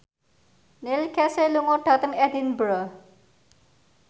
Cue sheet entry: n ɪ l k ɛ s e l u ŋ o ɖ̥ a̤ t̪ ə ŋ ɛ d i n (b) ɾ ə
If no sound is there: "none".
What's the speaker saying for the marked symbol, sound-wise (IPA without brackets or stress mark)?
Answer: b